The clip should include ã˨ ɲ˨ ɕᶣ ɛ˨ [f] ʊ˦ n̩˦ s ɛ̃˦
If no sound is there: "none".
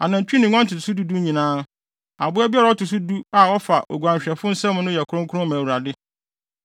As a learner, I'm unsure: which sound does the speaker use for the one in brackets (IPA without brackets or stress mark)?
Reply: f